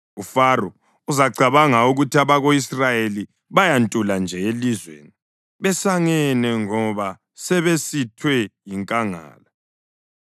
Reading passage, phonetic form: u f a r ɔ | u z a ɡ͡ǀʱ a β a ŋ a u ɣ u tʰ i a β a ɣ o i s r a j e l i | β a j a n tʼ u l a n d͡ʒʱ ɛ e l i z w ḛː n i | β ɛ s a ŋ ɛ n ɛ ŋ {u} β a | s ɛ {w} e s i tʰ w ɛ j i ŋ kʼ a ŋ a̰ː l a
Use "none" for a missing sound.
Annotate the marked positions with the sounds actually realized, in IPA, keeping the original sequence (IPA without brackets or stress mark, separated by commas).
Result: ɔ, β